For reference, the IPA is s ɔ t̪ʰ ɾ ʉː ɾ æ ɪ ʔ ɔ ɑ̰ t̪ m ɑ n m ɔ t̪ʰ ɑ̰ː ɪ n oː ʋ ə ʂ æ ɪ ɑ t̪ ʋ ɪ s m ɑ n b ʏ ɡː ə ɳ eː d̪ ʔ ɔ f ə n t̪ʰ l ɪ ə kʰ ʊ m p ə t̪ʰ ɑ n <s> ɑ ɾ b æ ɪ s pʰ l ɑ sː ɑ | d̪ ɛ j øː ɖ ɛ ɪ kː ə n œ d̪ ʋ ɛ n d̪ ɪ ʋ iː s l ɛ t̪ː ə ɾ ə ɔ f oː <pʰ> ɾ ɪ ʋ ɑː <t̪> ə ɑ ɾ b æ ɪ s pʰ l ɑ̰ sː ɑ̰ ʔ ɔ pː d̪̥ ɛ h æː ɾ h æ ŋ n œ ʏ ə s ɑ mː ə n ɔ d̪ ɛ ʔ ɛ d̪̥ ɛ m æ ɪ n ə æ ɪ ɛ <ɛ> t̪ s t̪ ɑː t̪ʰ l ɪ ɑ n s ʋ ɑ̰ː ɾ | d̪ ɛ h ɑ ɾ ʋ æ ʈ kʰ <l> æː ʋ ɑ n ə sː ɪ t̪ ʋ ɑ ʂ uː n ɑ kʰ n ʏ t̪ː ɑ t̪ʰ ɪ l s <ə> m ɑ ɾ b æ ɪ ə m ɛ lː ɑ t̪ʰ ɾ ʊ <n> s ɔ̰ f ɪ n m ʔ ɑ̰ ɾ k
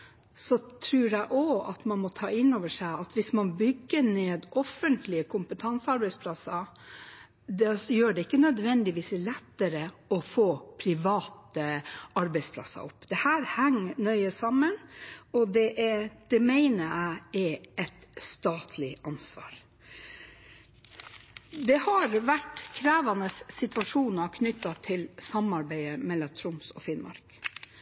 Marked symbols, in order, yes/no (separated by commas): yes, yes, yes, yes, no, no, no